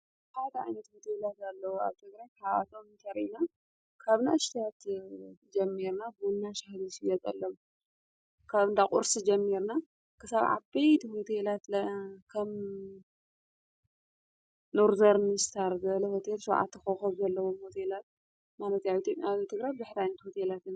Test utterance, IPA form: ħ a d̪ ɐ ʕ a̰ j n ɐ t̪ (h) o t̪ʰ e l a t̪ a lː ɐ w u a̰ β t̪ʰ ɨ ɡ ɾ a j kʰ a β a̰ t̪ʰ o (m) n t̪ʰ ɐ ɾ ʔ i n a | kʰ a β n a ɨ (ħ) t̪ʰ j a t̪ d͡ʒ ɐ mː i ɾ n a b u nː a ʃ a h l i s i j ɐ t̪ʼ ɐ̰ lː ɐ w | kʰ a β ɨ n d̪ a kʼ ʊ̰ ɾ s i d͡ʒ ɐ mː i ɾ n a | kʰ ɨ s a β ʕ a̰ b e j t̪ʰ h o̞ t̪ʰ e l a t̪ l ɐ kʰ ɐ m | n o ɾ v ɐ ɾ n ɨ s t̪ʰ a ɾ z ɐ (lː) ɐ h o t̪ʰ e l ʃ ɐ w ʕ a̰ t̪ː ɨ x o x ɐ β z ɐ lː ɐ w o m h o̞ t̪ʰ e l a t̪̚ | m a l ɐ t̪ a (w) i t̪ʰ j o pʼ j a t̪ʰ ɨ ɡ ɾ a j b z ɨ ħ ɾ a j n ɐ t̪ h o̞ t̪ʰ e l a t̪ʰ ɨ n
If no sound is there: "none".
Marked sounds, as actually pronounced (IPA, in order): h, m, ʃ, l, β

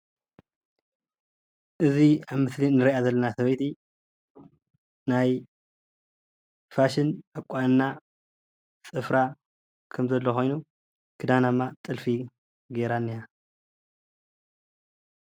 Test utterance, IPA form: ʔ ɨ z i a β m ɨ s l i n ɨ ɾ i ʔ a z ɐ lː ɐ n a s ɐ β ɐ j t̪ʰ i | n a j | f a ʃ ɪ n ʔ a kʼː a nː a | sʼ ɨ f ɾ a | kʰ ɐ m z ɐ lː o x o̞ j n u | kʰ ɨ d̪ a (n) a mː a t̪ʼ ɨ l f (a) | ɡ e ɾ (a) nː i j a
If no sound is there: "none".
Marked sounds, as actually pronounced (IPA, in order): n, i, a

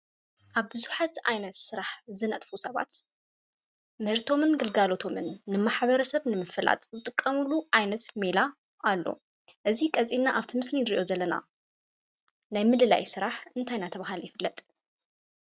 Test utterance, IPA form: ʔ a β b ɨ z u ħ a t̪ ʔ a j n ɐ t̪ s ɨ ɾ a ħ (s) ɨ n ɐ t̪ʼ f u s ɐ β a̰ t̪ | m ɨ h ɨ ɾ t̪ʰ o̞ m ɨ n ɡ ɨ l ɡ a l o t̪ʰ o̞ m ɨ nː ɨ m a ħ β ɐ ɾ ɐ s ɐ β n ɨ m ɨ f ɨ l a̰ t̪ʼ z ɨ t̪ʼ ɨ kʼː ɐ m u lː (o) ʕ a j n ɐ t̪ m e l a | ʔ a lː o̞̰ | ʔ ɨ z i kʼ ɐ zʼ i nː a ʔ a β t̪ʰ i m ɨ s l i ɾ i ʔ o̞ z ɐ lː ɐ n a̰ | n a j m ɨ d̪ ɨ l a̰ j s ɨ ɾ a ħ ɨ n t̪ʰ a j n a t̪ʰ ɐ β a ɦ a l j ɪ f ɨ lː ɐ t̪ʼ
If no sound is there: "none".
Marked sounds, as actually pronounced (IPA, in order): z, u

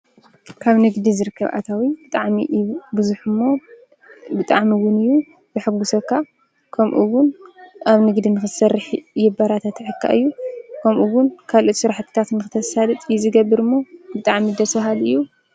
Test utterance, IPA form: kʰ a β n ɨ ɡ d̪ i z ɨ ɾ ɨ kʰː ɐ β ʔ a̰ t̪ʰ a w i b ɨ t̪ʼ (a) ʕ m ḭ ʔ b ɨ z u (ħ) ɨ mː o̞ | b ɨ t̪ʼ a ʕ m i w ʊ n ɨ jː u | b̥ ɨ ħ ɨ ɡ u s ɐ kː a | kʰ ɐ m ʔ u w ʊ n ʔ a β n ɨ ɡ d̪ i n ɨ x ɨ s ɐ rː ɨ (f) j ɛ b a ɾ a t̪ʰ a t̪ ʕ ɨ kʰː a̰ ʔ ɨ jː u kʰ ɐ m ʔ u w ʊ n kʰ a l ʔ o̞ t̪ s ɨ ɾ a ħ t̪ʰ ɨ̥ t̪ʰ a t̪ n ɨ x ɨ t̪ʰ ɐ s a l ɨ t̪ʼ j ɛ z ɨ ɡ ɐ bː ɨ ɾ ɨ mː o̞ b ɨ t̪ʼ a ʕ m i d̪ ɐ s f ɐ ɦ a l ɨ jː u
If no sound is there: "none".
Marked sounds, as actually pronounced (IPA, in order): a, ħ, ħ

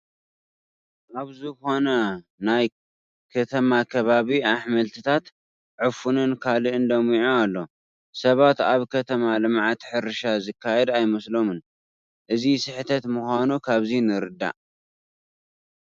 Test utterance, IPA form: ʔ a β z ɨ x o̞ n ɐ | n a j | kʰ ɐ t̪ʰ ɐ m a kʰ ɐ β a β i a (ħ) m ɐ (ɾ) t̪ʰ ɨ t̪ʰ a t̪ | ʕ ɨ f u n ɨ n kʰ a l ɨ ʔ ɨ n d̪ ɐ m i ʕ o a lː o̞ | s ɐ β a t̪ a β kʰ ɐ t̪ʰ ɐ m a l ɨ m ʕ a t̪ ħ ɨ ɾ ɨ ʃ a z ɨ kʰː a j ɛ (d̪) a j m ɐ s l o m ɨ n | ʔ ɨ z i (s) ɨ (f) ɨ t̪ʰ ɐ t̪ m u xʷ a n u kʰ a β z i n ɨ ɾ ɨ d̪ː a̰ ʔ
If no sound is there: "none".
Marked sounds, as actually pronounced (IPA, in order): ħ, l, d̪, s, ħ

